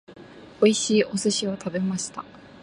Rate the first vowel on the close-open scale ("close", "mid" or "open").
mid